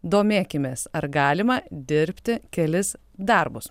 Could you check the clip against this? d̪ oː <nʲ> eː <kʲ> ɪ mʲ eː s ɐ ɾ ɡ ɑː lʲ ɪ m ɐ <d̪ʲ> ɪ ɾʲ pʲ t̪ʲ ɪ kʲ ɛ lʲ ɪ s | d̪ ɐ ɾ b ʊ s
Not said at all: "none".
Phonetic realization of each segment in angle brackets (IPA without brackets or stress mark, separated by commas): mʲ, kʲ, d̪ʲ